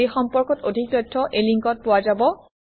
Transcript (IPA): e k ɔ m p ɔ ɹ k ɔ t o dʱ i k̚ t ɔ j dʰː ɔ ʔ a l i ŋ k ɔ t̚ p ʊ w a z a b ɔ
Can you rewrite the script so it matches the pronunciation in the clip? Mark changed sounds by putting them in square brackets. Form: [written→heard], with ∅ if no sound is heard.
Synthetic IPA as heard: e [k→x] ɔ m p ɔ ɹ k ɔ t o dʱ i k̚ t ɔ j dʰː ɔ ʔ [a→e] l i ŋ k ɔ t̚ p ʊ w a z a b ɔ